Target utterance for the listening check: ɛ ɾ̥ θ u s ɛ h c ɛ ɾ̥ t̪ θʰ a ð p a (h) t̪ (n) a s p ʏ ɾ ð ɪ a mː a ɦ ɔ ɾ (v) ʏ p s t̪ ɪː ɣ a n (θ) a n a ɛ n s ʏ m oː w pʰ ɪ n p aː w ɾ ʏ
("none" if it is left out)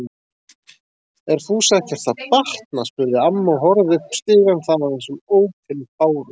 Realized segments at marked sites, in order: h, n, ð, θ

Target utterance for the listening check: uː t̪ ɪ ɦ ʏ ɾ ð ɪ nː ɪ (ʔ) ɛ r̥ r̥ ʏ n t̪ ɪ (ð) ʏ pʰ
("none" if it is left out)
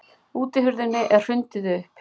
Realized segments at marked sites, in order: ʔ, ð

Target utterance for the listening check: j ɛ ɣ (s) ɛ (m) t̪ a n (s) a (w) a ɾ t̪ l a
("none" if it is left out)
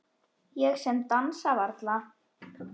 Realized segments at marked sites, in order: s, m, s, v

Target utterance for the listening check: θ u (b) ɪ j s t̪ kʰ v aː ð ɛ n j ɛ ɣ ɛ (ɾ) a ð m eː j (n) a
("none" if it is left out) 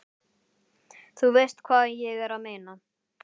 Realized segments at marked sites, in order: v, ɾ, n

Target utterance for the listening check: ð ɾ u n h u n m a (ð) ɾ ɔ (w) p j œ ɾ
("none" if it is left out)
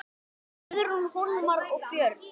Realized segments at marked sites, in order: none, ɣ

